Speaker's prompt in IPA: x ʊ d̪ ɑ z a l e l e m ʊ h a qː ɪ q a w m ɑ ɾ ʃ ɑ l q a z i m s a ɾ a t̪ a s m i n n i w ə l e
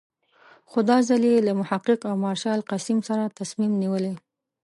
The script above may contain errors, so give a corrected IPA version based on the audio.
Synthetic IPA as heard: x ʊ d̪ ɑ z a l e l a m ʊ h a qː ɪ q a w m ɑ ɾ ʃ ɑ l q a s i m s a ɾ a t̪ a s m i m n i w ə l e